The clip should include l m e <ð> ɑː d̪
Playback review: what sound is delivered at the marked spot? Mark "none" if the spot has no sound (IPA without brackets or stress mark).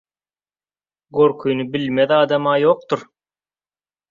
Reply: ð